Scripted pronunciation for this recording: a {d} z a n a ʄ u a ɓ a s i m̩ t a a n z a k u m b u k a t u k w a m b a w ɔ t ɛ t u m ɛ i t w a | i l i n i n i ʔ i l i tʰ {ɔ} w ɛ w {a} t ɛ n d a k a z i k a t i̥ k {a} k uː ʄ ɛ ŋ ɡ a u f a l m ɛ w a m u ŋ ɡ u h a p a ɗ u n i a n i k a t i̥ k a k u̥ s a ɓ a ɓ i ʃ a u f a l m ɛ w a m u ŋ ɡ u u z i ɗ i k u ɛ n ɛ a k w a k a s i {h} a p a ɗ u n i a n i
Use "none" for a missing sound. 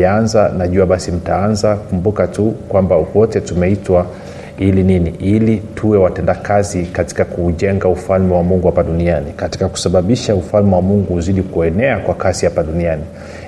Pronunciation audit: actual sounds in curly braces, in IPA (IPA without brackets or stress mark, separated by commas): n, u, a, a, h